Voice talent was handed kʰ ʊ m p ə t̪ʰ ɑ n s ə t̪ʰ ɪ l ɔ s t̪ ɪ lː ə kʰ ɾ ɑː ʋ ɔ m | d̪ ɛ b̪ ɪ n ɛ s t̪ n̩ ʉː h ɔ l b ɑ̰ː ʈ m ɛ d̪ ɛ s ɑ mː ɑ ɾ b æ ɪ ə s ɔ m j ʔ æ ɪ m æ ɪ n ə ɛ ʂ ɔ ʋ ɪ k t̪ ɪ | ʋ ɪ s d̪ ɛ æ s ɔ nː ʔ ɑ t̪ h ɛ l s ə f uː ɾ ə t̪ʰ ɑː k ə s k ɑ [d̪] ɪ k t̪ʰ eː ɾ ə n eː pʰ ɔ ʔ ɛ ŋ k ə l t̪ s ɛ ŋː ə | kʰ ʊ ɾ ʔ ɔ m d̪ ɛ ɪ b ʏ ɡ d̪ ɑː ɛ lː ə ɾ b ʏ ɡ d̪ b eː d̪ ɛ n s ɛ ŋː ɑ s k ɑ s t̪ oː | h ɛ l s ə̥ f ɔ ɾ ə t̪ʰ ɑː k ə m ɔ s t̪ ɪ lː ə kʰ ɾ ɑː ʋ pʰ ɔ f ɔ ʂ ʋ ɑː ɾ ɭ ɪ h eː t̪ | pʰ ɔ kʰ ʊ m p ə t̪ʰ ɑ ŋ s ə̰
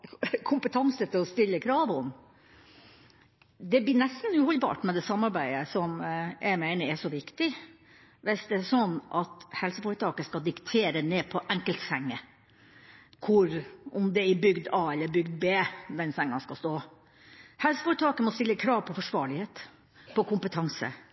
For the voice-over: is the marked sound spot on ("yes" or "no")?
yes